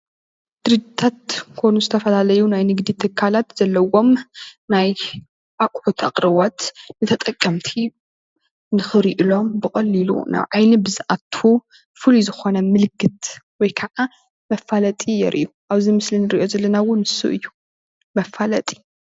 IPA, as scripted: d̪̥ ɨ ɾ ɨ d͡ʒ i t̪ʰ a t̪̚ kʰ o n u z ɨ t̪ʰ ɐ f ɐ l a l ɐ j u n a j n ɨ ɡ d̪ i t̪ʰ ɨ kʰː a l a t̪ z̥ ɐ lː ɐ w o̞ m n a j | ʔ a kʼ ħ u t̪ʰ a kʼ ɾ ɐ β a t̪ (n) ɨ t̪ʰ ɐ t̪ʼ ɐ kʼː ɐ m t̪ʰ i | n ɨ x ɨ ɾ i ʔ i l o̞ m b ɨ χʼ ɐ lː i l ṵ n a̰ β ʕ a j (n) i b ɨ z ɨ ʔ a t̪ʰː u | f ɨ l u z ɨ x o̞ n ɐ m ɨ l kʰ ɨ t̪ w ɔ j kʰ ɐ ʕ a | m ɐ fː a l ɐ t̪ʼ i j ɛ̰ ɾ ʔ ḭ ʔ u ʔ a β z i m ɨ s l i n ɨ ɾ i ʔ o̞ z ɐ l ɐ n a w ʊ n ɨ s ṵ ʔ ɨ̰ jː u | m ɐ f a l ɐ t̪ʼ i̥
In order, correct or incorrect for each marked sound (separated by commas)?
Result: correct, correct